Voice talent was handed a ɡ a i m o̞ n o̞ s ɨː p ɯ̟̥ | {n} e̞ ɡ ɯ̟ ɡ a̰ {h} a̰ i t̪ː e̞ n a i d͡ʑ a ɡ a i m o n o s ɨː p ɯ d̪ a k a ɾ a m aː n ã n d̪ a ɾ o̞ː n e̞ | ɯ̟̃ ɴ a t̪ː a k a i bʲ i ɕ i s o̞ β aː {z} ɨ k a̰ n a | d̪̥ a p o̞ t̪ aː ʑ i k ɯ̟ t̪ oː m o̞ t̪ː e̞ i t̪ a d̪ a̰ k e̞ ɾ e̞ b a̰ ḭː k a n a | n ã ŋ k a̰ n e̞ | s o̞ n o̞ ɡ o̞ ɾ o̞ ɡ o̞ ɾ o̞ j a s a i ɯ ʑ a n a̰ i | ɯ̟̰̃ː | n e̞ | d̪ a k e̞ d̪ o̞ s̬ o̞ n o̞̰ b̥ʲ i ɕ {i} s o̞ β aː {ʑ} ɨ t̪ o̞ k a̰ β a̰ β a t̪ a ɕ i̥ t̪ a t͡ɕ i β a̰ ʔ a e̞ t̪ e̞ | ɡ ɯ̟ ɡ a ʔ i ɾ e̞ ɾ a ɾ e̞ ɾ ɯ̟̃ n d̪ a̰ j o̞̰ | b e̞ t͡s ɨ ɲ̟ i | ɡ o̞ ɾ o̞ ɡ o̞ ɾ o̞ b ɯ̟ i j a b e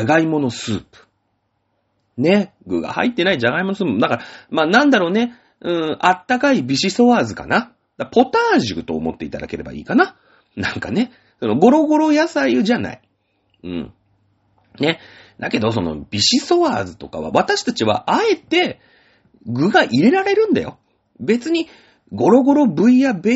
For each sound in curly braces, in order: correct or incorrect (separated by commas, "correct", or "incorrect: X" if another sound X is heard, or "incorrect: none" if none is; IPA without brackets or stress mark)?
correct, correct, correct, correct, incorrect: z